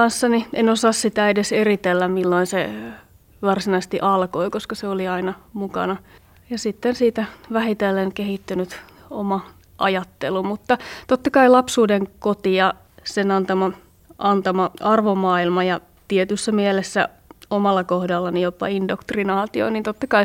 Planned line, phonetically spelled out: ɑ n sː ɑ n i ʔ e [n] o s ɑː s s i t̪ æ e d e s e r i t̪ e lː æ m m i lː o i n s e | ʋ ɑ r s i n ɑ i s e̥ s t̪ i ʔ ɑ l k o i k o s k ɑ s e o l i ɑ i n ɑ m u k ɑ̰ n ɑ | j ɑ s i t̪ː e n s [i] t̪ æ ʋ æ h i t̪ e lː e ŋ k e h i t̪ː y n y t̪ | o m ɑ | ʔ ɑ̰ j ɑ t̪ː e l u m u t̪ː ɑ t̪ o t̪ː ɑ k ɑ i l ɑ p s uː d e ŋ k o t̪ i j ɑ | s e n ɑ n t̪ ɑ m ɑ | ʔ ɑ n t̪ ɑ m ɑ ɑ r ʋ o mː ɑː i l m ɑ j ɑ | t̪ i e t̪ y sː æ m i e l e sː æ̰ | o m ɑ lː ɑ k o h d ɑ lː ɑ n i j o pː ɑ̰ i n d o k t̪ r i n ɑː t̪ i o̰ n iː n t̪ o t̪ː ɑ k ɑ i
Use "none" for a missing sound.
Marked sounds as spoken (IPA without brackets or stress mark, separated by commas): n, iː